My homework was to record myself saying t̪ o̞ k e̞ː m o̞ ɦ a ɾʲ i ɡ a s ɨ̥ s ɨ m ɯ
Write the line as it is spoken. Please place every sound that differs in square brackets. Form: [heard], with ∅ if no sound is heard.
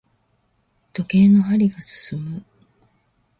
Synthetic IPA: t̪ o̞ k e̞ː [n] o̞ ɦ a ɾʲ i ɡ a s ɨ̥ s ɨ m ɯ